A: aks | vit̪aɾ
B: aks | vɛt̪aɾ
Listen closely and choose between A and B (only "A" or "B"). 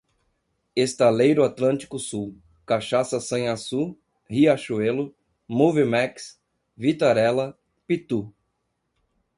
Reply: A